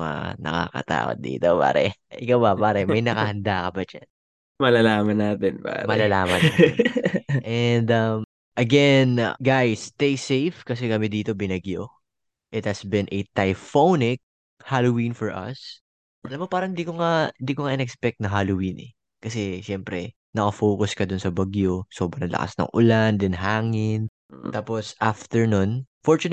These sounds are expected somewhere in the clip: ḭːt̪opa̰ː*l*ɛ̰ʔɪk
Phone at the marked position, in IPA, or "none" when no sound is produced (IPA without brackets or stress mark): ɾ